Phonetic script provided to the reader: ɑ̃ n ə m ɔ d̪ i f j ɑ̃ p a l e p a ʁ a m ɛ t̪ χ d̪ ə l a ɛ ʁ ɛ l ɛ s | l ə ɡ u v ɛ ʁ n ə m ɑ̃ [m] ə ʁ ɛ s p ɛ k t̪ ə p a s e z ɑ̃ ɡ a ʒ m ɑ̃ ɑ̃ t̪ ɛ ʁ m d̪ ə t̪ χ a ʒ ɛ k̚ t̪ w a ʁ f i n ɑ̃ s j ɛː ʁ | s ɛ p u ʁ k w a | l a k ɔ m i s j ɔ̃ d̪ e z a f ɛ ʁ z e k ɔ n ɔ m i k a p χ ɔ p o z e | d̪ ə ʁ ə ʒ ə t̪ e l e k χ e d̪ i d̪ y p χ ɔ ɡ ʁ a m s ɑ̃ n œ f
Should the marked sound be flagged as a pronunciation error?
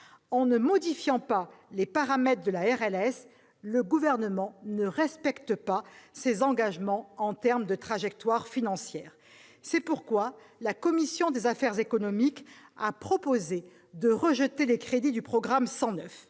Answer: yes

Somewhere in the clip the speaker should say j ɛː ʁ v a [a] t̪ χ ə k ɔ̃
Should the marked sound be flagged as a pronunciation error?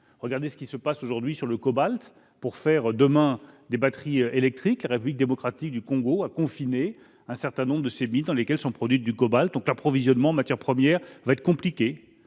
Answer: yes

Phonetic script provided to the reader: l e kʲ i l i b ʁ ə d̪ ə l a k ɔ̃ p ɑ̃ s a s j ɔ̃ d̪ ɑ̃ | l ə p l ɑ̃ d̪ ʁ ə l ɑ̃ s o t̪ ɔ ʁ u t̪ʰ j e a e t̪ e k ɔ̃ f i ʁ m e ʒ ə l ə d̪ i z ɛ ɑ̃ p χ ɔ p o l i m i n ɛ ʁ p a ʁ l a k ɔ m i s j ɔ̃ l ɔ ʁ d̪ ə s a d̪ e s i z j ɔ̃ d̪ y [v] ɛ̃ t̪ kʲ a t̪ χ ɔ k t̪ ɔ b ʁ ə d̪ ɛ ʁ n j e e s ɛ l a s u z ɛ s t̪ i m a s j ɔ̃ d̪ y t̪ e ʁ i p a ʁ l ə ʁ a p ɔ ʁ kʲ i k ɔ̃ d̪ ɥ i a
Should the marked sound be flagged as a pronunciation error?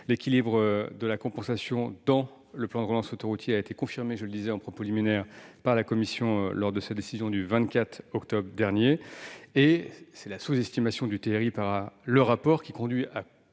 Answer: no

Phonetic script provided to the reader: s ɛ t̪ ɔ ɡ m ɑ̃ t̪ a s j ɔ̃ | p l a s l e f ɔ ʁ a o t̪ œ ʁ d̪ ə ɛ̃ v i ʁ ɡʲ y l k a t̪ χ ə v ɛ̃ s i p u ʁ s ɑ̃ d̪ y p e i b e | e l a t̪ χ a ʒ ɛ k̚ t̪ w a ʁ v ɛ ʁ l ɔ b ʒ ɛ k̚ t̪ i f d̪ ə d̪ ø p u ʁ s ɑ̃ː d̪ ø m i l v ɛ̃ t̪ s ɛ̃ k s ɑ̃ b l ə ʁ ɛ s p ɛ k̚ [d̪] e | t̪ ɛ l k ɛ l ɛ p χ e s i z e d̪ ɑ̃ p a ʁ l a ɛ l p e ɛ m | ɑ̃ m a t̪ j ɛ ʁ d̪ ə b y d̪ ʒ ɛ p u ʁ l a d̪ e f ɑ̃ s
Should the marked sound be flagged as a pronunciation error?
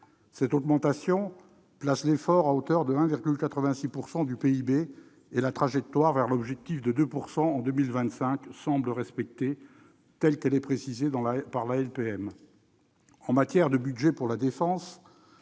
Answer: yes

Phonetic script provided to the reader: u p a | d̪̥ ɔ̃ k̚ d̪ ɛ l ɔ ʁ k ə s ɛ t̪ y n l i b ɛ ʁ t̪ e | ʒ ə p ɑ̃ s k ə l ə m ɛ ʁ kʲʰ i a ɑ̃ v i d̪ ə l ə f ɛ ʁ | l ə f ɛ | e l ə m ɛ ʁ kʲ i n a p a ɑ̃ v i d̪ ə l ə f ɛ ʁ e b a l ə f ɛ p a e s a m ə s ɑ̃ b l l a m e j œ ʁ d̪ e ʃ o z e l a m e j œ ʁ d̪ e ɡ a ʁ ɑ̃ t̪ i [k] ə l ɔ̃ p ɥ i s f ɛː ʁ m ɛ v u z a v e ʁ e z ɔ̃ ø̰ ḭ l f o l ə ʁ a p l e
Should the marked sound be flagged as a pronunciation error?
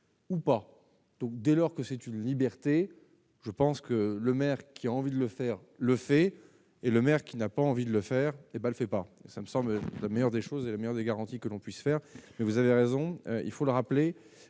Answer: no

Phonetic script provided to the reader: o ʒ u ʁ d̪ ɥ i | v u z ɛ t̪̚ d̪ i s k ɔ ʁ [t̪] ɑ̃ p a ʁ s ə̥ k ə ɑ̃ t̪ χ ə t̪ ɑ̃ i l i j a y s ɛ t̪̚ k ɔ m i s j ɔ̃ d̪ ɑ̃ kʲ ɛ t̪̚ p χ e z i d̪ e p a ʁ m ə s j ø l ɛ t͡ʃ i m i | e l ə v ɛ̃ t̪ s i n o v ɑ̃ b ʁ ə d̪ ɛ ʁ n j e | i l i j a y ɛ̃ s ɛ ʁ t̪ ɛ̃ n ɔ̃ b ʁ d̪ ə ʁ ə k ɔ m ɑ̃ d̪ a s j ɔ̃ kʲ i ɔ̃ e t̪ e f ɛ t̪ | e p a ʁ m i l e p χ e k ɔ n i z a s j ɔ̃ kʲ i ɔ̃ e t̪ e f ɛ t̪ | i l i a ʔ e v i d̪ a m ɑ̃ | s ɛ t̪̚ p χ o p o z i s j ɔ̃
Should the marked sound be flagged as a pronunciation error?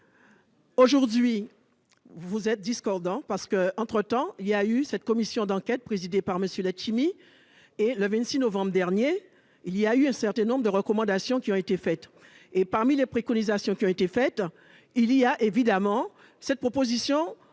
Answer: yes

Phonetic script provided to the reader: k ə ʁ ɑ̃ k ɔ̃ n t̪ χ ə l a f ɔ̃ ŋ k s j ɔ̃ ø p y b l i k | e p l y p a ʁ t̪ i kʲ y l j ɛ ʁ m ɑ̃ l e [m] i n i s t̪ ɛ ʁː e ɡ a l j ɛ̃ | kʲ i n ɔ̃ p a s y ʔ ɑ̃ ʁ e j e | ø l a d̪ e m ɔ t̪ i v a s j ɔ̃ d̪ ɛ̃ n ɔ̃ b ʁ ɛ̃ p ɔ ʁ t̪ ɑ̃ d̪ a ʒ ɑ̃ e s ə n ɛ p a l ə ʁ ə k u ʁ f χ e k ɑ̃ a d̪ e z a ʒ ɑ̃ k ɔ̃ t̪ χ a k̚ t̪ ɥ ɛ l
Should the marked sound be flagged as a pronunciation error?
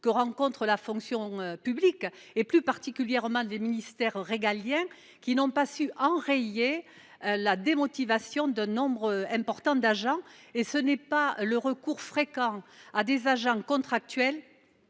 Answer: no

